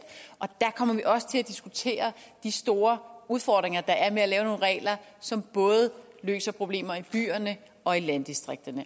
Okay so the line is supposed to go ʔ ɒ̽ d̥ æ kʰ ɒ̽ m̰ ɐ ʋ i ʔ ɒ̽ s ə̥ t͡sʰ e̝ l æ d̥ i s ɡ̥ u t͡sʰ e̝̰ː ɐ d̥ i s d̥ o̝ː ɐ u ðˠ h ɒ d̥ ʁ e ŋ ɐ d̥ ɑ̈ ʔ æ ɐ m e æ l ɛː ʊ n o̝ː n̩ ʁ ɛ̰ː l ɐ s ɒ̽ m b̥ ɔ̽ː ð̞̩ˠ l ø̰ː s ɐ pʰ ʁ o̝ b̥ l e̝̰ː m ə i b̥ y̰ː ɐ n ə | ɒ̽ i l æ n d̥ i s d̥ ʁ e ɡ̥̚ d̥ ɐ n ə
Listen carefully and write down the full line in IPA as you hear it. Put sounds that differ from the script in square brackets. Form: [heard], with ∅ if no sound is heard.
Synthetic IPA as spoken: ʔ ɒ̽ d̥ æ kʰ ɒ̽ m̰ ɐ ʋ i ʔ ɒ̽ s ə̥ t͡sʰ e̝ l æ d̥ i s ɡ̥ u t͡sʰ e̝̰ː ɐ d̥ i s d̥ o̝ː ɐ u ðˠ [f] ɒ d̥ ʁ e ŋ ɐ d̥ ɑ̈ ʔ æ ɐ m e æ l ɛː ʊ n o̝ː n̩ ʁ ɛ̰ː l ɐ s ɒ̽ m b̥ ɔ̽ː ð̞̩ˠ l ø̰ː s ɐ pʰ ʁ o̝ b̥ l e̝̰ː m [ɐ] i b̥ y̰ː ɐ n ə | ɒ̽ i l æ n d̥ i s d̥ ʁ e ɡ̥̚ d̥ ɐ n ə